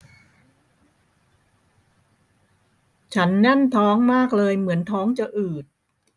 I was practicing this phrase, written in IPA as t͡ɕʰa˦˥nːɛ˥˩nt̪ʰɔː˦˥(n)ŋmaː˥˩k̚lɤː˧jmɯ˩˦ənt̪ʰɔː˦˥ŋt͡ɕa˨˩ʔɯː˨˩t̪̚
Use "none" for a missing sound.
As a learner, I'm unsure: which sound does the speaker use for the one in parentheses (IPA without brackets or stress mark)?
none